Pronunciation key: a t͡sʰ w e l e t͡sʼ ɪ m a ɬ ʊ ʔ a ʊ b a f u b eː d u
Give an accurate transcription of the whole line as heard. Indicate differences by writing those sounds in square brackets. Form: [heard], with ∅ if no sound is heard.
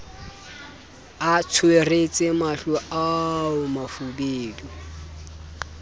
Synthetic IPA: a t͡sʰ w e [r] e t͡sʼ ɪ m a ɬ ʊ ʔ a ʊ [m] a f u b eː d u